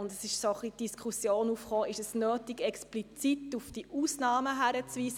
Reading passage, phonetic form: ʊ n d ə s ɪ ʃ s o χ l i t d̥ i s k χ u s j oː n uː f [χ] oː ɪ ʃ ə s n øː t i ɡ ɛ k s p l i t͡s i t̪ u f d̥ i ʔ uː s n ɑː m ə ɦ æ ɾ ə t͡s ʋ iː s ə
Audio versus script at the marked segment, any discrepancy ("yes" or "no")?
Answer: no